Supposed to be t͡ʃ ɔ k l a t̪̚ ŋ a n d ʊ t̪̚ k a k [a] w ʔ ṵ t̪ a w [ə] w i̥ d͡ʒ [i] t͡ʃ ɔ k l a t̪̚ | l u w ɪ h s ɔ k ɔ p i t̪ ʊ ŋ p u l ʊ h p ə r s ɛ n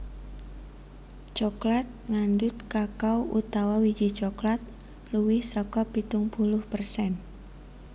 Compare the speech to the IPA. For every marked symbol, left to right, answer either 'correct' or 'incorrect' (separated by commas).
correct, incorrect, correct